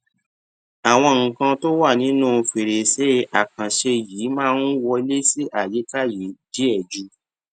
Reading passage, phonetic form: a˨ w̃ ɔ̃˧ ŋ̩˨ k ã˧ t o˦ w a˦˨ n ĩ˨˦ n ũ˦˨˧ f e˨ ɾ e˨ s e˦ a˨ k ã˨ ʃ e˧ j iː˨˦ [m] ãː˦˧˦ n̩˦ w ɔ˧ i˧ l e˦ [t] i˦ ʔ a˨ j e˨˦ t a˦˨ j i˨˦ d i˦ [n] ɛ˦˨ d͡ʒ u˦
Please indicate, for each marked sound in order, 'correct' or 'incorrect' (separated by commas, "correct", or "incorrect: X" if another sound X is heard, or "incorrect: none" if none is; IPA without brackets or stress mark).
correct, incorrect: s, incorrect: none